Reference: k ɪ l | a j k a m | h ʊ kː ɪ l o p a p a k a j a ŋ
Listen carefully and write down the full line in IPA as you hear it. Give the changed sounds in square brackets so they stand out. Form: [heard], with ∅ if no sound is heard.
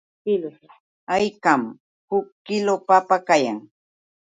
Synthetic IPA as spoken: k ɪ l | a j k a m | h ʊ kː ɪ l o p a p a k a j a ŋ